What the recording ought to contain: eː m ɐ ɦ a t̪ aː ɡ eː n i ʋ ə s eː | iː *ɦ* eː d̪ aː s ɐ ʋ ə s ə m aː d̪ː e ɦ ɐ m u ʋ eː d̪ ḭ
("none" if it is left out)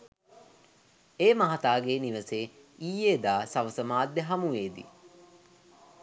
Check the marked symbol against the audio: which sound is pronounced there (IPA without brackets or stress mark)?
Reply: none